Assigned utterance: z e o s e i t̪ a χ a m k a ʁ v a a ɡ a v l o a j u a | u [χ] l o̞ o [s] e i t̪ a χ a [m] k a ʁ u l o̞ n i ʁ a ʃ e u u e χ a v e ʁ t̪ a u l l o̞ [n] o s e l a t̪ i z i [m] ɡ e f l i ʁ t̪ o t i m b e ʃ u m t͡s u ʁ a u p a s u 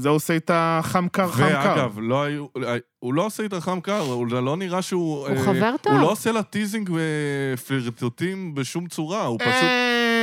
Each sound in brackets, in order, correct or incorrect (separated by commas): incorrect, correct, correct, incorrect, incorrect